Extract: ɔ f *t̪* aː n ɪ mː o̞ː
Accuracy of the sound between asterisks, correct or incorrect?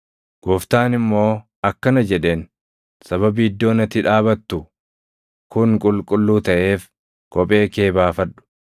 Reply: correct